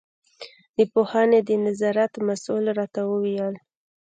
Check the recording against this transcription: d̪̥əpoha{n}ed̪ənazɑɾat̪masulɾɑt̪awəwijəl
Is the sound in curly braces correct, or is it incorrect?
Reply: correct